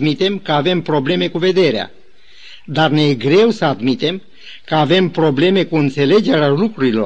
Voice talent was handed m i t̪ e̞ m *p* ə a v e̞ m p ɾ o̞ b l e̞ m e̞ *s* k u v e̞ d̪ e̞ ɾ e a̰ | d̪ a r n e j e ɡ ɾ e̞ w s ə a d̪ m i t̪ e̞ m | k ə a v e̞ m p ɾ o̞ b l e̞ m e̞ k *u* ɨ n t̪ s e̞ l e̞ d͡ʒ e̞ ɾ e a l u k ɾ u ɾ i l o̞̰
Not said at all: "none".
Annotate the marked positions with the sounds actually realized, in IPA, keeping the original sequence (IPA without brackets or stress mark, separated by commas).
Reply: k, none, u